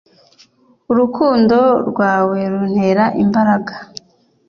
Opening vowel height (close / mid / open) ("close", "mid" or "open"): close